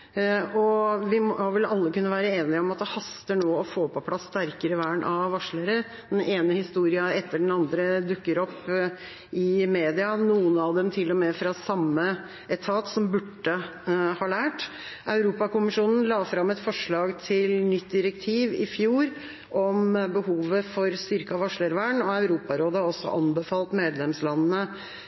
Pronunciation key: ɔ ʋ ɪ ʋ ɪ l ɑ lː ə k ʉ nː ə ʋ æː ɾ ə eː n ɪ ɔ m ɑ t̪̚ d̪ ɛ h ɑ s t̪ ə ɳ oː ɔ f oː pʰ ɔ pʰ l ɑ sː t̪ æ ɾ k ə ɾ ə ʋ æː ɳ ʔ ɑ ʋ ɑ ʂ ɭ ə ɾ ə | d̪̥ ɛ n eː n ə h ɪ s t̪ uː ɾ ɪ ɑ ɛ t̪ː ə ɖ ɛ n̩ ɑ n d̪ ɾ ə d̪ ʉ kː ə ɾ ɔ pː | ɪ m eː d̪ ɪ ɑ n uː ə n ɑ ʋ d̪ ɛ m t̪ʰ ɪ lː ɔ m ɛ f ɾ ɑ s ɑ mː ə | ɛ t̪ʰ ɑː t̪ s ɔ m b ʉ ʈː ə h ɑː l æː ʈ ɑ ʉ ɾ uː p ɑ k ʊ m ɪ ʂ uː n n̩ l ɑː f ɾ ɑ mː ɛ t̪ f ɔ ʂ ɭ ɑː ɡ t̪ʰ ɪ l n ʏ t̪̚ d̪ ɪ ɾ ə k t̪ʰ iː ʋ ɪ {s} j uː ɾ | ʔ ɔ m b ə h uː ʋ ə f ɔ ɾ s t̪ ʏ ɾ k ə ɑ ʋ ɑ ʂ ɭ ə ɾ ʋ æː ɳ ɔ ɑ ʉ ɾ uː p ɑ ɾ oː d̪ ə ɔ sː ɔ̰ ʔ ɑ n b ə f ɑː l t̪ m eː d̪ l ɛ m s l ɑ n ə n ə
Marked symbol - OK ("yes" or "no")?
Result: no